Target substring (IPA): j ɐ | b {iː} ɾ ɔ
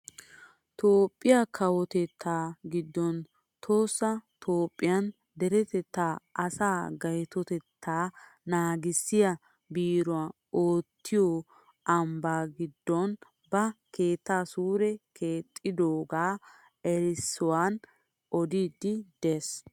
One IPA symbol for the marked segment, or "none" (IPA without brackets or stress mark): iː